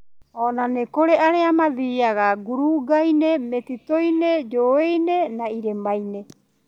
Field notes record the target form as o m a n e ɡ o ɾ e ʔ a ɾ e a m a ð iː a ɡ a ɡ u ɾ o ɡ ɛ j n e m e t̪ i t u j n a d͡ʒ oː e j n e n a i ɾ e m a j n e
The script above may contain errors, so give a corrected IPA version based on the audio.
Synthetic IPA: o n a n e k o ɾ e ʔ a ɾ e a m a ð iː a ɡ a ɡ u ɾ u ɡ a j n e m e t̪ i t o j n e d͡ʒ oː e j n e n a i ɾ e m a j n e